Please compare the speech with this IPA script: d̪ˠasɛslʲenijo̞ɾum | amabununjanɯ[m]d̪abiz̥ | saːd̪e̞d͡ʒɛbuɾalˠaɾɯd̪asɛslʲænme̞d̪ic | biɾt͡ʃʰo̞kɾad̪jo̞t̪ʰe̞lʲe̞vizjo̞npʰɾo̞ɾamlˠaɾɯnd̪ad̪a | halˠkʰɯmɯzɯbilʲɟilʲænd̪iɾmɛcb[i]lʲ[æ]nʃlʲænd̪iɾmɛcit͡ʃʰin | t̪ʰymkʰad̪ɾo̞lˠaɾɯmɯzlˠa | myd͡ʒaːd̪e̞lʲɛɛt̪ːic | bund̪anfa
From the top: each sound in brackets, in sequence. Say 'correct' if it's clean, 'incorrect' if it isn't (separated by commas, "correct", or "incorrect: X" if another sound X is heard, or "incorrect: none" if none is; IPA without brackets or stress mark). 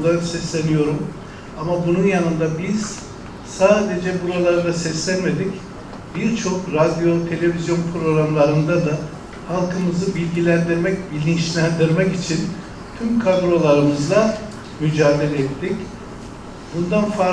incorrect: n, correct, incorrect: i